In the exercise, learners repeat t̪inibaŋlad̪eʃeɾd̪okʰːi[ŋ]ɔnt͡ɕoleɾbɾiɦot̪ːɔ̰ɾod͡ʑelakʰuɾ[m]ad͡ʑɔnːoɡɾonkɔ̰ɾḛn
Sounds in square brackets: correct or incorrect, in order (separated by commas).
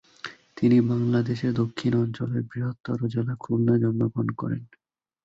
incorrect, incorrect